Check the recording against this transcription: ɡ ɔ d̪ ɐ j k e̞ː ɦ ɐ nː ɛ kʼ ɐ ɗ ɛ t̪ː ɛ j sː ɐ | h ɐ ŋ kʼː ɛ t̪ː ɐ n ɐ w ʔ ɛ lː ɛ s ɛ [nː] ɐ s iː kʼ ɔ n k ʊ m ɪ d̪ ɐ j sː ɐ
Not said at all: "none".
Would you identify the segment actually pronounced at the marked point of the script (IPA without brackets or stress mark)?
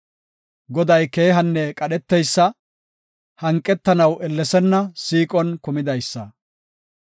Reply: nː